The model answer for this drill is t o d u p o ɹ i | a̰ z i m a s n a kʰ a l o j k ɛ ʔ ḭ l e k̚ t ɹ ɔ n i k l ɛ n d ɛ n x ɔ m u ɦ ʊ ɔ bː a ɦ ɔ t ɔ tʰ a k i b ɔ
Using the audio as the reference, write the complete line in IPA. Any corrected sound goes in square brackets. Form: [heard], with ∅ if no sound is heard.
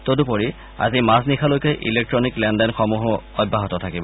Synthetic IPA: t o d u p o ɹ i | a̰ z i m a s n [i] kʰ a l o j k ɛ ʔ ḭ l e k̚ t ɹ ɔ n i k l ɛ n d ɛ n x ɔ m u ɦ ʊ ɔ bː a ɦ ɔ t ɔ tʰ a k i b ɔ